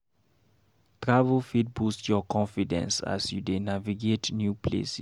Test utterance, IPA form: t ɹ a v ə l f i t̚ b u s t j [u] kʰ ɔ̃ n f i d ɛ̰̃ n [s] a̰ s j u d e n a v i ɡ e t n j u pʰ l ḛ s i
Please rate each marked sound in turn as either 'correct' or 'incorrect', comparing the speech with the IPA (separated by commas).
incorrect, correct